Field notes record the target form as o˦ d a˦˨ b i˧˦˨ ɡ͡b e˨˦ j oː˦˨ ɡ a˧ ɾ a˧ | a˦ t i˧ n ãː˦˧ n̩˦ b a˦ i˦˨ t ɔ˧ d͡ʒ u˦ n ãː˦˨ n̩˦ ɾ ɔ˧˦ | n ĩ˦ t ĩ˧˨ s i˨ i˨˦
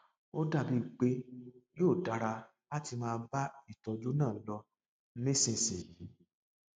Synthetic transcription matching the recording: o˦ d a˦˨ b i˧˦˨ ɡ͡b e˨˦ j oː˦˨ d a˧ ɾ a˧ | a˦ t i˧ m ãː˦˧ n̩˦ b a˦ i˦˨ t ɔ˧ d͡ʒ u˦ n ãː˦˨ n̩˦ l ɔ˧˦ | n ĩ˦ s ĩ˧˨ s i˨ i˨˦